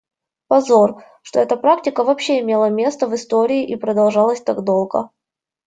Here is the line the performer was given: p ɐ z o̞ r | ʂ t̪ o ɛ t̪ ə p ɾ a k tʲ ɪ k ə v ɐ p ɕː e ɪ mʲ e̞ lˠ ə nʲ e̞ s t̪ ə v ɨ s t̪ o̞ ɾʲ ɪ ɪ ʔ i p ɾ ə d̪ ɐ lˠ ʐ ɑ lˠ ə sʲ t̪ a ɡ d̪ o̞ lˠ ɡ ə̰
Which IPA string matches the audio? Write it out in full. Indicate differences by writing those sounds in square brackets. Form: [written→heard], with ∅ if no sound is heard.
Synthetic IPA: p ɐ z o̞ r | ʂ t̪ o ɛ t̪ ə p ɾ a k tʲ ɪ k ə v ɐ p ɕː e ɪ mʲ e̞ lˠ ə [nʲ→mʲ] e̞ s t̪ ə v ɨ s t̪ o̞ ɾʲ ɪ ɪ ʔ i p ɾ ə d̪ ɐ lˠ ʐ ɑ lˠ ə sʲ t̪ a ɡ d̪ o̞ lˠ ɡ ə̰